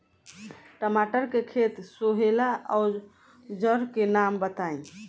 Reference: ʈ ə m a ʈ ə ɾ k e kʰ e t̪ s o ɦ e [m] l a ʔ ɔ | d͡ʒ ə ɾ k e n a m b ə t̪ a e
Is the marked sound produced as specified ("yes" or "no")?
no